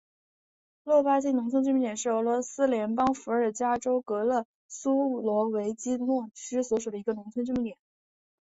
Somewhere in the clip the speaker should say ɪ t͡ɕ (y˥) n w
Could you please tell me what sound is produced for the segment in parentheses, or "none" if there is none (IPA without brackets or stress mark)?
i˥